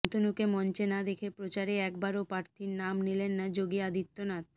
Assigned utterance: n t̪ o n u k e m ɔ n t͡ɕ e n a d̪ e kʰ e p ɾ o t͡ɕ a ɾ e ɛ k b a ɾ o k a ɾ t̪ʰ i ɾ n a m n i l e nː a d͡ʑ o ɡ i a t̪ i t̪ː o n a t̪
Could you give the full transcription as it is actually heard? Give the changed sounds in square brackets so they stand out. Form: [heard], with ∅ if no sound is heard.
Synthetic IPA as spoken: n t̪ o n u k e m ɔ n t͡ɕ e n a d̪ e kʰ e p ɾ o t͡ɕ a ɾ e ɛ k b a ɾ o [p] a ɾ t̪ʰ i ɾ n a m n i l e nː a d͡ʑ o ɡ i a [d̪] i t̪ː o n a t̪